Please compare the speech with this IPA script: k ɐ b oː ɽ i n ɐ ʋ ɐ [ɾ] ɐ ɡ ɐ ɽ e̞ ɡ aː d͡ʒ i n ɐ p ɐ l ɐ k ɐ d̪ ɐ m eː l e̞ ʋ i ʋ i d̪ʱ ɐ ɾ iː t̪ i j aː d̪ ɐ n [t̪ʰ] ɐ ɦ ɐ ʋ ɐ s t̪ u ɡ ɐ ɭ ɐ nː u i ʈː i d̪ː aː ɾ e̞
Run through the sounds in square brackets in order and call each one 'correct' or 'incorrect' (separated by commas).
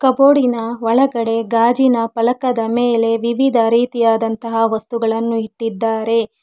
incorrect, incorrect